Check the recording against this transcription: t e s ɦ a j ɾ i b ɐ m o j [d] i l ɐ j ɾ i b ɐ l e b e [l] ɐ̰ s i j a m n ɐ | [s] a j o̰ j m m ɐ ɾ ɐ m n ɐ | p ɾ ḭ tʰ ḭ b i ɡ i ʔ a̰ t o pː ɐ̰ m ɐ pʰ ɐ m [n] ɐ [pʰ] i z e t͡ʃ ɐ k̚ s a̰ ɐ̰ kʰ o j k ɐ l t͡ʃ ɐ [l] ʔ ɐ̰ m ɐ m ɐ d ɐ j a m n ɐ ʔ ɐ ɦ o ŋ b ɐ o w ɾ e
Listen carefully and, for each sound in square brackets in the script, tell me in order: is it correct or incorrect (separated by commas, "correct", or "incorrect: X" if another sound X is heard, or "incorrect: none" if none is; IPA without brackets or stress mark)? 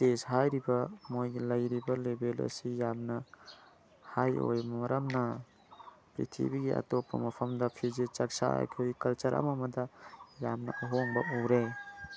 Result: incorrect: ɡ, correct, incorrect: h, incorrect: d, correct, incorrect: ɾ